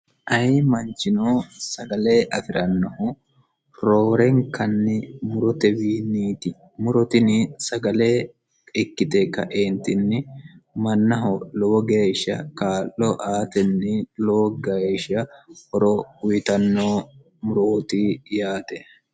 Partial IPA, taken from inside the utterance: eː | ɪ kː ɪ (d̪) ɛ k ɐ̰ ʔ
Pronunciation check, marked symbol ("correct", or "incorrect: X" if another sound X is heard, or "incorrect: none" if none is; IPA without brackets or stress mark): incorrect: t̪